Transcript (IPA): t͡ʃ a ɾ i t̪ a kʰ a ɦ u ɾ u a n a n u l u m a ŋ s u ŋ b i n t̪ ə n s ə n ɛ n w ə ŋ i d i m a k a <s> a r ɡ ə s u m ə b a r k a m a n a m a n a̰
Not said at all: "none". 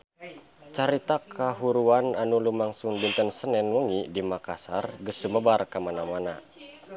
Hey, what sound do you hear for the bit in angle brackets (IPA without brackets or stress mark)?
s